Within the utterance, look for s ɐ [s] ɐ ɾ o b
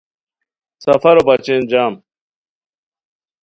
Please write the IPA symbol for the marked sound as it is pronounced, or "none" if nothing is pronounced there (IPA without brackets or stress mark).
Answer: f